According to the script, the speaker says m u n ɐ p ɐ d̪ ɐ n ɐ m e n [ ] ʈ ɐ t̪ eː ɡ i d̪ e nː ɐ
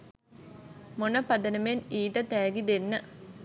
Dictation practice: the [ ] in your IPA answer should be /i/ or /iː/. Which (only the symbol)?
iː